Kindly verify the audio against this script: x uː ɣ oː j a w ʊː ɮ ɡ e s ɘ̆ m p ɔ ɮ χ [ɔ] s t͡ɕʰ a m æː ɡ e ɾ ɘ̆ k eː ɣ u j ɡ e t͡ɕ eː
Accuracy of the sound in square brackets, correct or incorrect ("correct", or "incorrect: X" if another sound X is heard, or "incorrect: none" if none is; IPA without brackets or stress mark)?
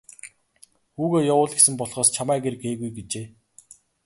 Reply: incorrect: ɔː